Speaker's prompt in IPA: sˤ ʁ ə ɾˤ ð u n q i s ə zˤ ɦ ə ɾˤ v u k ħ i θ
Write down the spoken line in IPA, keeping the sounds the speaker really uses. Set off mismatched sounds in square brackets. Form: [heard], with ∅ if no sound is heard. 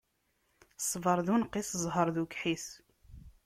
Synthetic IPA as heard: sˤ [v] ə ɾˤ ð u n q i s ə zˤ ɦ ə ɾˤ [ð] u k ħ i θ